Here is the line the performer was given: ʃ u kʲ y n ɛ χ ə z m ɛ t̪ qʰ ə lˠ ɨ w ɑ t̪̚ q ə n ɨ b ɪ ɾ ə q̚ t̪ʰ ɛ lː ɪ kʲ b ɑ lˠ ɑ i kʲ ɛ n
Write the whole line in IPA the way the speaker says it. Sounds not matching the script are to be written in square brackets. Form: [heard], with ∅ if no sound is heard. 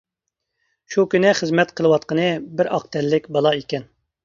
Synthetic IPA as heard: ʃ u kʲ y n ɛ χ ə z m ɛ t̪ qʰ ə lˠ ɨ w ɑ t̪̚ q ə n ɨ b ɪ ɾ [ɑ] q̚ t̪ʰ ɛ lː ɪ kʲ b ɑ lˠ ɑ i kʲ ɛ n